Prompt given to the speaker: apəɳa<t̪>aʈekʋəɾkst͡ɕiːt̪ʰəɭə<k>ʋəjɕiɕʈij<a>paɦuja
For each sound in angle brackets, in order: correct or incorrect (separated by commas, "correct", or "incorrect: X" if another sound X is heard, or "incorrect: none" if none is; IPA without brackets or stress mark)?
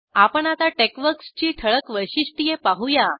correct, correct, incorrect: e